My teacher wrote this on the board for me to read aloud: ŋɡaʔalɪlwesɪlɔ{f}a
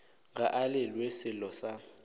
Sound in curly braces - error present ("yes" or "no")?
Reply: yes